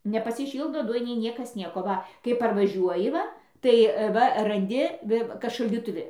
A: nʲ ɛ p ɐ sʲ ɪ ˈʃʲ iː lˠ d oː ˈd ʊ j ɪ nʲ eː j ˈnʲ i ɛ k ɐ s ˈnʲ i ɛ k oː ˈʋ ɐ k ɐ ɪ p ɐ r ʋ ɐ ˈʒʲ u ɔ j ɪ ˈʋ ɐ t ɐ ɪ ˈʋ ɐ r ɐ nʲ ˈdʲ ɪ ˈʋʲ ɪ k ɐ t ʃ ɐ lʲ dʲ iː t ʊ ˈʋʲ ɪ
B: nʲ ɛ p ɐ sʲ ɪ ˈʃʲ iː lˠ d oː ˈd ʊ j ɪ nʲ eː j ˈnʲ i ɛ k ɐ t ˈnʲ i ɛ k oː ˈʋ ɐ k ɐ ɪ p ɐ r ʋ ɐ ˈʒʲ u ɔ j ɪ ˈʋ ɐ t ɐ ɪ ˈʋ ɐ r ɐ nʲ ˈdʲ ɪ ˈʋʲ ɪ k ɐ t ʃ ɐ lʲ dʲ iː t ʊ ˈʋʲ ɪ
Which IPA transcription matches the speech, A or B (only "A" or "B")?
A